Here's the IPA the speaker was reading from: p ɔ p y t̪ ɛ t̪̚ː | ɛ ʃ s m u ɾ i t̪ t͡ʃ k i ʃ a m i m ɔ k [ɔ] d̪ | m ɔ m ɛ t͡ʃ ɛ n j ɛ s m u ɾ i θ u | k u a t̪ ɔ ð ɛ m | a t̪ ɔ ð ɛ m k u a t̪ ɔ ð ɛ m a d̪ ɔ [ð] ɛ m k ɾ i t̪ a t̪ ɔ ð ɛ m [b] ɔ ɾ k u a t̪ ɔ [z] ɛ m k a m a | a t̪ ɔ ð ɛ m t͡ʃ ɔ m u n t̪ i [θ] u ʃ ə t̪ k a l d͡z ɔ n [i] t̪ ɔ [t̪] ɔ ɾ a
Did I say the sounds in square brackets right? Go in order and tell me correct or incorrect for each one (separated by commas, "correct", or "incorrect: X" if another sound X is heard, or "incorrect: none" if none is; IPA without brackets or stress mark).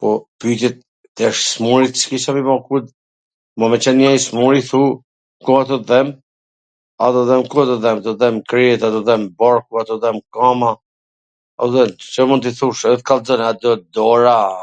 incorrect: u, correct, correct, incorrect: ð, correct, incorrect: a, incorrect: d̪